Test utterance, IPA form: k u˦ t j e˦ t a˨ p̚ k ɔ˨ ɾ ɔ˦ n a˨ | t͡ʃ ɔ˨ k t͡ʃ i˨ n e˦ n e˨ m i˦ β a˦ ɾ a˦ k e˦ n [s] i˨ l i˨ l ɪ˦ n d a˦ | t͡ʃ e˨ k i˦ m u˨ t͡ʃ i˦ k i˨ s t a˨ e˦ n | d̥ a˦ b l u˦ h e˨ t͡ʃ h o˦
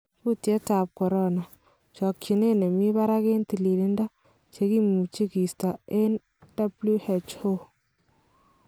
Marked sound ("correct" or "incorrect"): incorrect